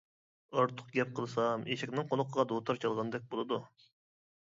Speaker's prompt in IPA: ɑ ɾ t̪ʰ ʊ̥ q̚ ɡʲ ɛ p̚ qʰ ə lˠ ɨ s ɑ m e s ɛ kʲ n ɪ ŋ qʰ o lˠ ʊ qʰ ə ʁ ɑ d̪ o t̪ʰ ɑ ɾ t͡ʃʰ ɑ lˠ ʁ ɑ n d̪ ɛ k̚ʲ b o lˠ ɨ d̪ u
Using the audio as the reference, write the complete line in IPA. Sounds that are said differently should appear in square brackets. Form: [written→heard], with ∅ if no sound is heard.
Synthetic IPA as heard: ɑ ɾ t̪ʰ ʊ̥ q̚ ɡʲ ɛ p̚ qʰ ə lˠ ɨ s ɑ m e [s→ʃ] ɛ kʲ n ɪ ŋ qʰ o lˠ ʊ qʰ ə ʁ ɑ d̪ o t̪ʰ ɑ ɾ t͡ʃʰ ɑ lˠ ʁ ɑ n d̪ ɛ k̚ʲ b o lˠ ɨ d̪ u